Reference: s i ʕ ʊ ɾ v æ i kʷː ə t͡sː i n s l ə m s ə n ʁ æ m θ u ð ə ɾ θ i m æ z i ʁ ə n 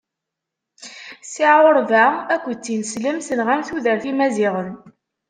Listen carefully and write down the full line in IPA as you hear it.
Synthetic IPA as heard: s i ʕ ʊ ɾ v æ æ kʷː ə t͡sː i n s l ə m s ə n ʁ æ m θ u ð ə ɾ θ i m æ z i ʁ ə n